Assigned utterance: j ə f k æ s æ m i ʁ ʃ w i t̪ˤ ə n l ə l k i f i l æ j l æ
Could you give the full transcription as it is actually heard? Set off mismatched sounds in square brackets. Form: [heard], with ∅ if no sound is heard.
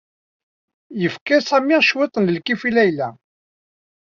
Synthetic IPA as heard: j ə f k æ s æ m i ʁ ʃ w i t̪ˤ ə n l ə l k i f i l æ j l æ